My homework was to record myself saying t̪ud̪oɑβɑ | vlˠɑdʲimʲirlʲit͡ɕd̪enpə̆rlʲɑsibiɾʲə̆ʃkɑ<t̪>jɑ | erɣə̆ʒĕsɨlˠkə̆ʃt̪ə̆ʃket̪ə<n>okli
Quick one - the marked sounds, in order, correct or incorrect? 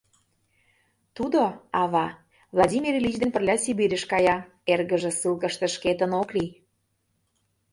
incorrect: none, correct

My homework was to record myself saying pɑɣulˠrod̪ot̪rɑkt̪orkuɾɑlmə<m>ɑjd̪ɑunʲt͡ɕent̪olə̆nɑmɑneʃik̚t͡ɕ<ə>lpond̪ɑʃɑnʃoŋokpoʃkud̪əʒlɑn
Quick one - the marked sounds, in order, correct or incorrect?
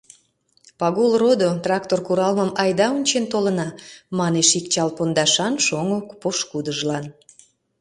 correct, incorrect: ɑ

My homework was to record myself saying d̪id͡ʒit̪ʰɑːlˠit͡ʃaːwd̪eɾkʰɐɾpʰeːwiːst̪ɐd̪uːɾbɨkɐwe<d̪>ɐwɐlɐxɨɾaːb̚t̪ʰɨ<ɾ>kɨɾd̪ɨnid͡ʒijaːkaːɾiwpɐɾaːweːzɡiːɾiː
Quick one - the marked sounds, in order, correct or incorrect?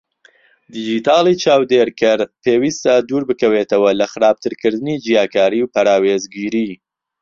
incorrect: t̪, correct

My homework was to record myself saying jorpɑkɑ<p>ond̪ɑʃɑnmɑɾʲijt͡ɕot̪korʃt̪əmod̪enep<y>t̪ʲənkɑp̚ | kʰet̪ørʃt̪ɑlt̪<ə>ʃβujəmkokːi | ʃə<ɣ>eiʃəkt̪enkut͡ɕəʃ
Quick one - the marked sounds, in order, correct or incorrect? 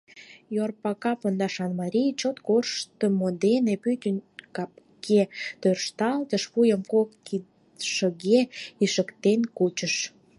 correct, correct, correct, correct

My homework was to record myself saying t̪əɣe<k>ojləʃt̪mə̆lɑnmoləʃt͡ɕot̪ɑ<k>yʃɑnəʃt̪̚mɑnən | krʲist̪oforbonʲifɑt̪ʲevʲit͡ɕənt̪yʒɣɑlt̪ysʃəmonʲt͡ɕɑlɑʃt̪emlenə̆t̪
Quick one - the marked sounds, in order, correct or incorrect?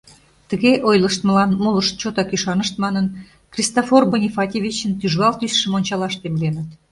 incorrect: ʔ, correct

